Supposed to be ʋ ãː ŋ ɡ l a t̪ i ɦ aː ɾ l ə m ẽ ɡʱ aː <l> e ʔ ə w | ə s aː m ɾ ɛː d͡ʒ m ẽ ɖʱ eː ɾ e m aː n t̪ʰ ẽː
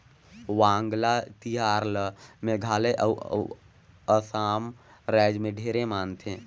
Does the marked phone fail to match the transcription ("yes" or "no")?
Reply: no